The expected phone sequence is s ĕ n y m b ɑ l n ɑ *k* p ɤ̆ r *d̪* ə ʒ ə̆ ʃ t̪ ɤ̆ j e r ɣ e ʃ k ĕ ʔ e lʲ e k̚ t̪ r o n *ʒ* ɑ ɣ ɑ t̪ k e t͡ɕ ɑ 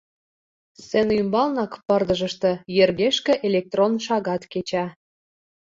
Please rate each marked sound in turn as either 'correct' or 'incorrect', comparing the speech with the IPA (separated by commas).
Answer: correct, correct, incorrect